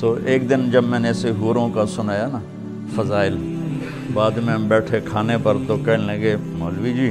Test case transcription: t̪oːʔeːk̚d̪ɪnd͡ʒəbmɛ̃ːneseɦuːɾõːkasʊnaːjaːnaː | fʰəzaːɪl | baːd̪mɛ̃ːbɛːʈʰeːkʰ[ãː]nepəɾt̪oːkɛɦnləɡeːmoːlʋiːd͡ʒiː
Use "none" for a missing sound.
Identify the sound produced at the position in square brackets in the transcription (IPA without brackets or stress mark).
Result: aː